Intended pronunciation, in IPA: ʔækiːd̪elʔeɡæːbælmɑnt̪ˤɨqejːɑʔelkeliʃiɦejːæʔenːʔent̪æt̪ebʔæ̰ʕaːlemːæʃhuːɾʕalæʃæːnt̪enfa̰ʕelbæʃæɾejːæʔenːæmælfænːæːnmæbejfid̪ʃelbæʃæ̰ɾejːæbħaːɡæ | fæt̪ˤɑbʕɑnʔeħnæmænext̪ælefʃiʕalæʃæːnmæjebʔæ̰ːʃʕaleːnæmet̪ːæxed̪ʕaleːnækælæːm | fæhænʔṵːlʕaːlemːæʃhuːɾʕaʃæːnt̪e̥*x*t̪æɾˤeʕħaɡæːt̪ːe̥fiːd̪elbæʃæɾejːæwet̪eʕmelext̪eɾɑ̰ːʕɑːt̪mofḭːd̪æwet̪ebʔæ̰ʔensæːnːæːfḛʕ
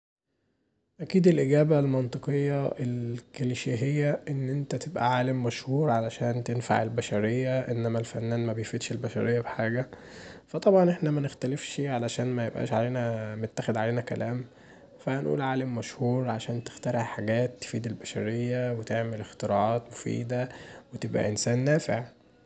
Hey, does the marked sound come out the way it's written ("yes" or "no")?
yes